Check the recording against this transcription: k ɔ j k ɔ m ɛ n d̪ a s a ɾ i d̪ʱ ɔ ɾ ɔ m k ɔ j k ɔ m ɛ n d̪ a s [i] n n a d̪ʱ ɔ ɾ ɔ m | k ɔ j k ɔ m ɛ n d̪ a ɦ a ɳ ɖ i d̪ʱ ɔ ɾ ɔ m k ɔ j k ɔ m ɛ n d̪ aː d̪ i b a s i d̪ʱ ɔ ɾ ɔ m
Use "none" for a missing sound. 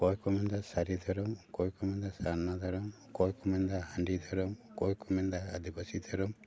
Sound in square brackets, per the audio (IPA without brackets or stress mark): a